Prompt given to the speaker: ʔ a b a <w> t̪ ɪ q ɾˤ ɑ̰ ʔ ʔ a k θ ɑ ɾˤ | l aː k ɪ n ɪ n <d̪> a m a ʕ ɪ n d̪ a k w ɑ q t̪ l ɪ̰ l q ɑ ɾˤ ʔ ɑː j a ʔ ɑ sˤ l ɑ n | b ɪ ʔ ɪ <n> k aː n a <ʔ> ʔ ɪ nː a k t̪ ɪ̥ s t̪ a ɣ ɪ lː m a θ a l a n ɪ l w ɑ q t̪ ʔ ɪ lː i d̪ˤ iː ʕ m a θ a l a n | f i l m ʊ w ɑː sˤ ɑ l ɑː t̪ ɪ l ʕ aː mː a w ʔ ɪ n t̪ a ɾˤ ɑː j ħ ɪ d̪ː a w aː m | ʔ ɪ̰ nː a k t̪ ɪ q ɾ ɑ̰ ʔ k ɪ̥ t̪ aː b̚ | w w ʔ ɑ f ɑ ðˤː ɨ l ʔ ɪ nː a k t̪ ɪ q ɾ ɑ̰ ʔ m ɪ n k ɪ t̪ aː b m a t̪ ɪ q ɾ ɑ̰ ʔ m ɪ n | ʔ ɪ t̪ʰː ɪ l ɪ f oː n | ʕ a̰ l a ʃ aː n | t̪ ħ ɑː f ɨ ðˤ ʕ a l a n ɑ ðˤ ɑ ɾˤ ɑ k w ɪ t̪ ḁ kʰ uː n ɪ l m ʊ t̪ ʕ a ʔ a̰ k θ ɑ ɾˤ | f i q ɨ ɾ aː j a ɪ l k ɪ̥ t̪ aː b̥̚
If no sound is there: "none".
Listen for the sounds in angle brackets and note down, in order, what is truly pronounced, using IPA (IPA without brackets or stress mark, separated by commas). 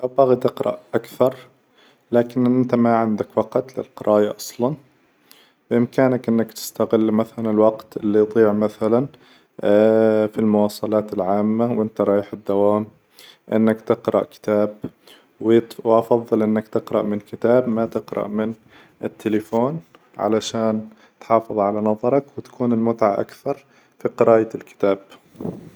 ɣ, t̪, m, k